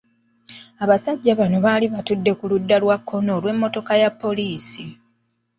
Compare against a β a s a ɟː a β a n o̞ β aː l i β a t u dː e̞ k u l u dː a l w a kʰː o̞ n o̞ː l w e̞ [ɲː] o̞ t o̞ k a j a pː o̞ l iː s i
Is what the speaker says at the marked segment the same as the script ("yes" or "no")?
no